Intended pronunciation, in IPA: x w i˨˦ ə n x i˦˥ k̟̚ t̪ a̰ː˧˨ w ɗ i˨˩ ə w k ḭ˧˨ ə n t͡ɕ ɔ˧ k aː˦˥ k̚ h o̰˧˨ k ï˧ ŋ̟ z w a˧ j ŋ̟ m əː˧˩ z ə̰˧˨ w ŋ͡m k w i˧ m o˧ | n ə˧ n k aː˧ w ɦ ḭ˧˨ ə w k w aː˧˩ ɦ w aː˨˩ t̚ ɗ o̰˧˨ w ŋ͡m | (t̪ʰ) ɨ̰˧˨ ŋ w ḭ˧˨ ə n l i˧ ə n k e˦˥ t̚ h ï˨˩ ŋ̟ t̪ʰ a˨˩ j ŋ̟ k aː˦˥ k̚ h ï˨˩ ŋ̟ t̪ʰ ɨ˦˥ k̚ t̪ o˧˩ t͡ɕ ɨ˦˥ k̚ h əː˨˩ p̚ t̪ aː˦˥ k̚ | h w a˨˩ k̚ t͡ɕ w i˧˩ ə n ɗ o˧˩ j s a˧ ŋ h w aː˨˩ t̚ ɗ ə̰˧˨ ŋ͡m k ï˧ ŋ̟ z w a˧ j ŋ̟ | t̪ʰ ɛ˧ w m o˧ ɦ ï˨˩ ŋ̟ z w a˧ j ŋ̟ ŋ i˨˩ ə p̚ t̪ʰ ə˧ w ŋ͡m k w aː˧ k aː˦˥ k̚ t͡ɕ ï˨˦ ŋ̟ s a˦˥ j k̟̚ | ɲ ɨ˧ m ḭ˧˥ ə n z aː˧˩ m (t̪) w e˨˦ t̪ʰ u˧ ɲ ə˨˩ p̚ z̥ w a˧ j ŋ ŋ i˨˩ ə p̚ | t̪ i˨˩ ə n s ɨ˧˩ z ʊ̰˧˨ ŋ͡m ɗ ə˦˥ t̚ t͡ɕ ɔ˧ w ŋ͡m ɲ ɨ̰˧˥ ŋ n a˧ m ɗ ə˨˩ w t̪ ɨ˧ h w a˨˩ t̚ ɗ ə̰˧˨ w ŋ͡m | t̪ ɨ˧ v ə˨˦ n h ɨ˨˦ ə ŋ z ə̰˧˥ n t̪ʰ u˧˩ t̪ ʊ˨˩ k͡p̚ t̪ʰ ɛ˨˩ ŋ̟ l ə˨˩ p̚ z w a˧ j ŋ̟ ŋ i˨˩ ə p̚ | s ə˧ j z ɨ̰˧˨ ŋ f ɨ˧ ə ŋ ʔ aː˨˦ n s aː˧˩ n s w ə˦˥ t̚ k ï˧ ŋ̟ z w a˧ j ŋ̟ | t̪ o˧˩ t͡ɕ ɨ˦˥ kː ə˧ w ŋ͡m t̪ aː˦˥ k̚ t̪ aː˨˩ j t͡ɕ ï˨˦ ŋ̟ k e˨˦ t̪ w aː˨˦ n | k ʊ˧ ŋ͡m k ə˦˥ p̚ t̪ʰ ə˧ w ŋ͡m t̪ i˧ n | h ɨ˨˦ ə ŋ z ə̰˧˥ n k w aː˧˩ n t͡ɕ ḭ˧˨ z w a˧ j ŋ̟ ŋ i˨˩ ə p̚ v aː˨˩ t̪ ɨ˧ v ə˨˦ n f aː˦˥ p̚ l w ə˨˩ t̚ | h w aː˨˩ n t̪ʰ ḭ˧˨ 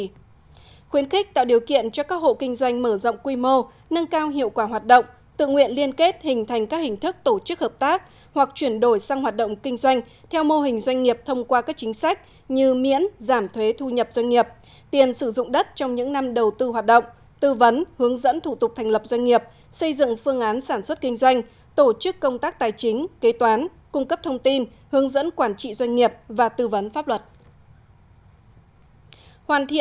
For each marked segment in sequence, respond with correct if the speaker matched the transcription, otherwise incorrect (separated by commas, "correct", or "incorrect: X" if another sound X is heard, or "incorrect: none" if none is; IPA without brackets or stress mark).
incorrect: t̪, incorrect: t̪ʰ